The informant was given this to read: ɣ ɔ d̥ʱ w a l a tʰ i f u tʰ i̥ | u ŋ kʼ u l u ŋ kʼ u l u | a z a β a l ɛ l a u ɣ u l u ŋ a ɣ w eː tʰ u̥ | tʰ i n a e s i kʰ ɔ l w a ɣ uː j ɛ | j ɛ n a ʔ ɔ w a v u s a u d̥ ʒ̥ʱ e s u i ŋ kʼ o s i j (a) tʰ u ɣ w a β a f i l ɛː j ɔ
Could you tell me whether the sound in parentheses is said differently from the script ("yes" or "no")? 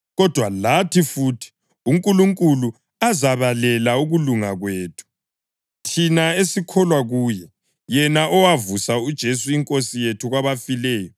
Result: yes